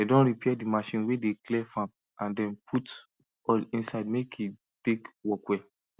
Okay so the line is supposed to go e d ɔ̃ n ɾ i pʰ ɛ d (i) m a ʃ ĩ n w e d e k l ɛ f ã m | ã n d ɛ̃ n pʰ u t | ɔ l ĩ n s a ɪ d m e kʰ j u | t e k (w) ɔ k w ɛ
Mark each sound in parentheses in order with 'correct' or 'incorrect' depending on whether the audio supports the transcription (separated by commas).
correct, correct